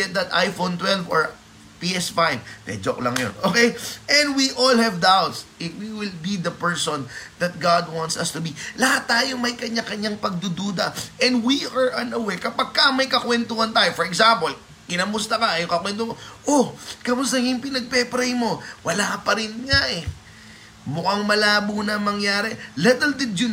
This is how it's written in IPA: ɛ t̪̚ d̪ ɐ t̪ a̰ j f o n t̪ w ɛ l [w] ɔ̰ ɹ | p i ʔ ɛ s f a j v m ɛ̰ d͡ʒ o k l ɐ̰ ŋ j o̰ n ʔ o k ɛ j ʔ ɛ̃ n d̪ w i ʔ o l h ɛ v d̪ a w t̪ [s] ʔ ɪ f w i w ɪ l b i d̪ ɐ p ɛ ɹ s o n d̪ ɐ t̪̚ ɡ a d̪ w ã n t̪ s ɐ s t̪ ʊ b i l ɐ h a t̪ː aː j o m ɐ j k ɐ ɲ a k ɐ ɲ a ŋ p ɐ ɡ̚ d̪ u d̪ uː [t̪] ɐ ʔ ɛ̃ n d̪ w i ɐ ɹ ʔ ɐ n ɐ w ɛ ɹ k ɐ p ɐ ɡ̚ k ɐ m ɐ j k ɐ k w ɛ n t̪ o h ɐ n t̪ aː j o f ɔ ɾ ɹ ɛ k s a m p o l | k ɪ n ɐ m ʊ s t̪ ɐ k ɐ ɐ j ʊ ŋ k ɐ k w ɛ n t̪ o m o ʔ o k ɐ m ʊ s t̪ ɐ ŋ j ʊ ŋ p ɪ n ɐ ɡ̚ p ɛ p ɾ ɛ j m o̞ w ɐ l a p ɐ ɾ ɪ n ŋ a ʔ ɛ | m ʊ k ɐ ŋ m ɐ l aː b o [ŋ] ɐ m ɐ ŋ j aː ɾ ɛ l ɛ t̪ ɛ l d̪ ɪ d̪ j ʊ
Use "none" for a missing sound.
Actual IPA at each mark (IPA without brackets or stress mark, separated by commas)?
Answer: v, s, d̪, n